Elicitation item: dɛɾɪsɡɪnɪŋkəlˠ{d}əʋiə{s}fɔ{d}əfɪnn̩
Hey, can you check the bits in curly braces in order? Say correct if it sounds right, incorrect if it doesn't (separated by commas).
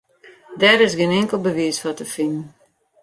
incorrect, correct, incorrect